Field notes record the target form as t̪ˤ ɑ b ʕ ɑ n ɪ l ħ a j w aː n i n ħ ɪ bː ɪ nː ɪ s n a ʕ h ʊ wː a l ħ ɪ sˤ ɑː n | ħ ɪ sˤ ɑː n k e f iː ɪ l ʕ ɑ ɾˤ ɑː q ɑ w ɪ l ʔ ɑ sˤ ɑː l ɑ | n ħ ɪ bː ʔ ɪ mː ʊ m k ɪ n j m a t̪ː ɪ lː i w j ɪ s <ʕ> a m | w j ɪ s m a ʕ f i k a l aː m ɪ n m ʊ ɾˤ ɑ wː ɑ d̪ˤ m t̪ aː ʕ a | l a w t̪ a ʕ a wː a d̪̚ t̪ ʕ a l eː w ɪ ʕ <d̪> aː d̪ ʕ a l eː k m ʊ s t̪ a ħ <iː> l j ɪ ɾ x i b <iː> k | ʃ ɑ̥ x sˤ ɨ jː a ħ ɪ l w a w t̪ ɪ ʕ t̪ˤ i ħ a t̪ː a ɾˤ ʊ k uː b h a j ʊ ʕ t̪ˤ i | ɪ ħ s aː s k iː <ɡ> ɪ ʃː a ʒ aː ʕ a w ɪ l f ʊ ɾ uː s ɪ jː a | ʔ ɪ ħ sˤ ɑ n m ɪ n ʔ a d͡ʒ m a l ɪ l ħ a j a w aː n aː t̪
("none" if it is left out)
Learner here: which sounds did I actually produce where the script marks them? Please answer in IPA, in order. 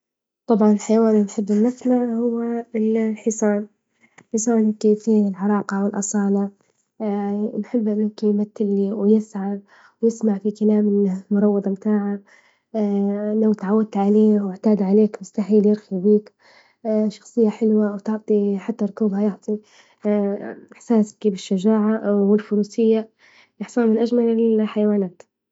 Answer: ʕ, t̪, iː, iː, b

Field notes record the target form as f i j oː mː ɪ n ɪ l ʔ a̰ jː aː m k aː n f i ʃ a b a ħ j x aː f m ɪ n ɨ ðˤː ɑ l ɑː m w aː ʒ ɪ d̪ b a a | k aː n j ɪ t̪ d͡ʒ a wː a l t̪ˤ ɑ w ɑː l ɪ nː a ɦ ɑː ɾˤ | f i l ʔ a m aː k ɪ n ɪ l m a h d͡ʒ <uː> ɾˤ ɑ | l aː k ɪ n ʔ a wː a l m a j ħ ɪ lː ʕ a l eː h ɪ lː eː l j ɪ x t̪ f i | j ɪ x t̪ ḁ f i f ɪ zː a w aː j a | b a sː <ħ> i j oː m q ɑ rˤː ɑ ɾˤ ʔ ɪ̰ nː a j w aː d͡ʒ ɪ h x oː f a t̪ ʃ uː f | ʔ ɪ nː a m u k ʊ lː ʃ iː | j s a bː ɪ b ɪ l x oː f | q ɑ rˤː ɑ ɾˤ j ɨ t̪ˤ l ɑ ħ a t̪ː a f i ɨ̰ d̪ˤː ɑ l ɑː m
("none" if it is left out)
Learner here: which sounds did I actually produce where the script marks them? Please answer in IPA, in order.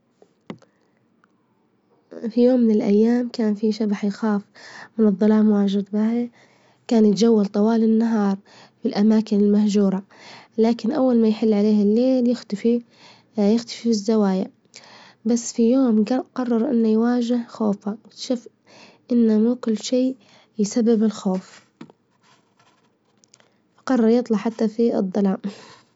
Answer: uː, f

